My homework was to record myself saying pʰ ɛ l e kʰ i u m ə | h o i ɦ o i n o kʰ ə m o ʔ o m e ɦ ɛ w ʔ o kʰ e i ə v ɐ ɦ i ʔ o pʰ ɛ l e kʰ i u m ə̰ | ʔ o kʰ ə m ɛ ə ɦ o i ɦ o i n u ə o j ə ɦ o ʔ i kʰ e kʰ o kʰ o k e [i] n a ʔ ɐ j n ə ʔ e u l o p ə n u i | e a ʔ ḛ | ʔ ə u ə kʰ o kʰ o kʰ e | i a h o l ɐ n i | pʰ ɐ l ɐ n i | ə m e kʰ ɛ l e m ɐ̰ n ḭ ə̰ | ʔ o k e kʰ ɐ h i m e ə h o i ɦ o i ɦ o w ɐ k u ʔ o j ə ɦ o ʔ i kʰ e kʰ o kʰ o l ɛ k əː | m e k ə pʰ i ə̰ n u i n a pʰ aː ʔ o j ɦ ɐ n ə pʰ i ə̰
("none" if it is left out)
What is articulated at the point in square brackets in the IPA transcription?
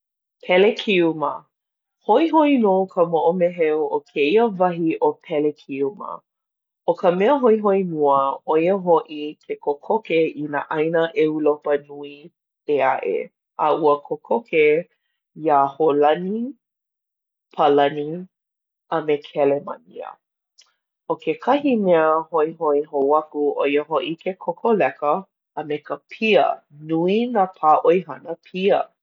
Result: i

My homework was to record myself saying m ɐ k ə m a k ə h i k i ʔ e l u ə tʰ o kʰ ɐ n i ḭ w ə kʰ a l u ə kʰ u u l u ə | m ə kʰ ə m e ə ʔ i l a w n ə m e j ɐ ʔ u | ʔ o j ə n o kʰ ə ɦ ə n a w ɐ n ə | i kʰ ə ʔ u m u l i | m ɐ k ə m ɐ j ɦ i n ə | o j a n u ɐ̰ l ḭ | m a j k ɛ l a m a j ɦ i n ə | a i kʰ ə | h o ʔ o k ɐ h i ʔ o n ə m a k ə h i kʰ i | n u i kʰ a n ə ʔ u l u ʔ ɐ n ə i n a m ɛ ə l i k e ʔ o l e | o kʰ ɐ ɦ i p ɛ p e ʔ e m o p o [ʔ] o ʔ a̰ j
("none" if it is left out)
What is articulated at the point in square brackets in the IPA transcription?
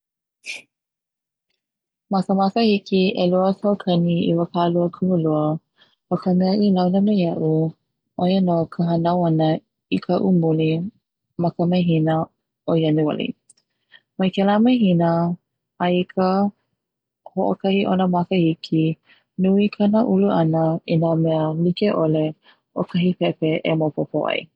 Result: p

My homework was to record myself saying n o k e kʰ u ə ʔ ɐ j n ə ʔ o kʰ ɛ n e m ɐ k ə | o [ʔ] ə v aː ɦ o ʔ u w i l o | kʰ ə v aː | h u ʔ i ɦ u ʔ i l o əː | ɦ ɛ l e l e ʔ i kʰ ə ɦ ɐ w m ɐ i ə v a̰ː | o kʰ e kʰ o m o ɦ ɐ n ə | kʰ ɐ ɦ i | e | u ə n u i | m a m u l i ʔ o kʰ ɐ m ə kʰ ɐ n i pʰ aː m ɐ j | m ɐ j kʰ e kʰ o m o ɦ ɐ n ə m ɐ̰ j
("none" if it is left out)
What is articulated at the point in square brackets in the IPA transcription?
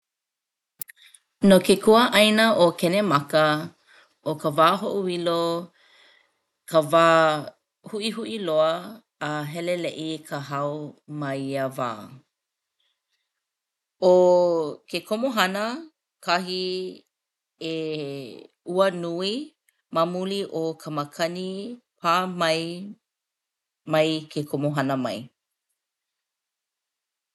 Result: k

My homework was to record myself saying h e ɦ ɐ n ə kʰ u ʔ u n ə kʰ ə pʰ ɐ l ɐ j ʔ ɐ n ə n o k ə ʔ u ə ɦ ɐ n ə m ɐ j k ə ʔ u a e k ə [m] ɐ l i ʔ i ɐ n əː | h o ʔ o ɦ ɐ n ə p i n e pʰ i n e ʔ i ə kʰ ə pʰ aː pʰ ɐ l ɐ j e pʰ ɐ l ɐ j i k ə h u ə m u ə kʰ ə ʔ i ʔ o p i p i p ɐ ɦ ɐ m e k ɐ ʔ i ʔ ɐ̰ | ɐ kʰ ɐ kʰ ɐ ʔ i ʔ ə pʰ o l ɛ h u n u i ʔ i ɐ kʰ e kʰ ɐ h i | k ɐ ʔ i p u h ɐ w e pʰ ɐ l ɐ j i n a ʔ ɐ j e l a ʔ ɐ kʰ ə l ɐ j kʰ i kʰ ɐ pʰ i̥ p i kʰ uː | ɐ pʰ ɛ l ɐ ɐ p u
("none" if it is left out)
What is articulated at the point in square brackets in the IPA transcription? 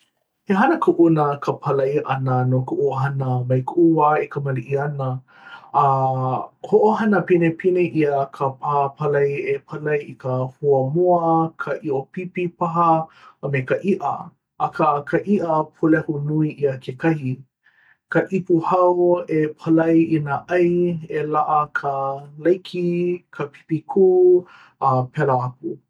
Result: m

